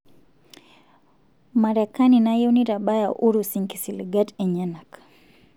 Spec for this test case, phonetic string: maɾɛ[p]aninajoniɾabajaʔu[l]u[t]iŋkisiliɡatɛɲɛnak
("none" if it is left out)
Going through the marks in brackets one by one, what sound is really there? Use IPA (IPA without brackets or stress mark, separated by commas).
k, ɾ, s